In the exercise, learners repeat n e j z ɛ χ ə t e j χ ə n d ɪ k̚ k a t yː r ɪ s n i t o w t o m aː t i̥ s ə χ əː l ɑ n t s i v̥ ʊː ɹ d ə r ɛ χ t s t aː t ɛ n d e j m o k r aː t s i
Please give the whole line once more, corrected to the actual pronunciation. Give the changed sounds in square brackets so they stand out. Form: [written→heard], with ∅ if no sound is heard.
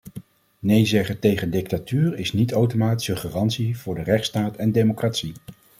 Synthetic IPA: n e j z ɛ χ ə t e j χ ə n d ɪ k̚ [k→t] a t yː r ɪ s n i t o w t o m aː t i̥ s ə χ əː [l→r] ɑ n t s i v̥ ʊː ɹ d ə r ɛ χ t s t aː t ɛ n d e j m o k r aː t s i